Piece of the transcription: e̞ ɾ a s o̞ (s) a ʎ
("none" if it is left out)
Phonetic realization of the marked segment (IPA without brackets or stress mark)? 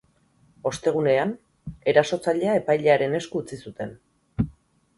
t͡s